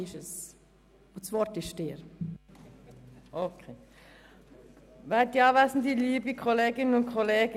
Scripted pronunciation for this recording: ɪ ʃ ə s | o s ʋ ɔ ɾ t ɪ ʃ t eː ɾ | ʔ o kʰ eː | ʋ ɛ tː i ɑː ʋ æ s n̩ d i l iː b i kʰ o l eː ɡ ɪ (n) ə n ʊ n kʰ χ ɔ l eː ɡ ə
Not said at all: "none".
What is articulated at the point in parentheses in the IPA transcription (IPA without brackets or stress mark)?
n